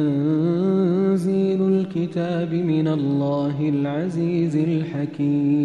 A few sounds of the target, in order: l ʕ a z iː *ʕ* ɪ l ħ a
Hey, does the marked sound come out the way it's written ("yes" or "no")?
no